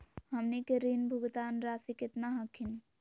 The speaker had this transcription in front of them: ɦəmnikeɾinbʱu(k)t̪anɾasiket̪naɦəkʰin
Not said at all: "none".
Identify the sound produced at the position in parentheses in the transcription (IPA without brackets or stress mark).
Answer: ɡ